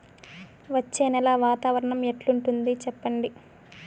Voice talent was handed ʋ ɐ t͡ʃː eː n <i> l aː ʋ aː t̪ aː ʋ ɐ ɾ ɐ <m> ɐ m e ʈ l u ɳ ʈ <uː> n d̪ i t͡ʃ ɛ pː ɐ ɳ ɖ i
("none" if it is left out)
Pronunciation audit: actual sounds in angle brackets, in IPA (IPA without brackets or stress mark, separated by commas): ɛ, ɳ, u